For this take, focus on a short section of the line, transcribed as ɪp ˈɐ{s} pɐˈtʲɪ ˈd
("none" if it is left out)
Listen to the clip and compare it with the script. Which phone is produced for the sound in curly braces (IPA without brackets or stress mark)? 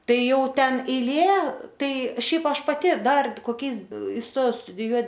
ʃ